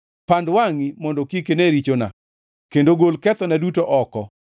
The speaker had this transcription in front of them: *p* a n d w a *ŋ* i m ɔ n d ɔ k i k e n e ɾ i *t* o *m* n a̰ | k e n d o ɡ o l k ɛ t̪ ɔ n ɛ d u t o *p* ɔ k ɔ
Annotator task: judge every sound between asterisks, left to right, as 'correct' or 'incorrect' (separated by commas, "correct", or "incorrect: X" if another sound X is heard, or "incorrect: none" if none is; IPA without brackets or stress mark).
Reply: correct, correct, incorrect: t͡ʃ, incorrect: none, incorrect: ʔ